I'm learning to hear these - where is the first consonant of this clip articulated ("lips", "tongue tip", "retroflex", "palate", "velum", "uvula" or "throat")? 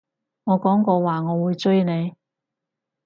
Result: velum